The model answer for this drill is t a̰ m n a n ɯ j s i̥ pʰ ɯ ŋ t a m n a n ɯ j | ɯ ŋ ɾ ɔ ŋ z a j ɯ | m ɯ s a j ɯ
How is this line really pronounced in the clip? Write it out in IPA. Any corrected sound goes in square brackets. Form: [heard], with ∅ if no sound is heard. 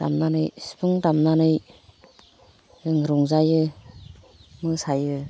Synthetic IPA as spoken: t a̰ m n a n ɯ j s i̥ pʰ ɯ ŋ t a m n a n ɯ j | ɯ ŋ ɾ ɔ ŋ z a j ɯ | m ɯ s a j ɯ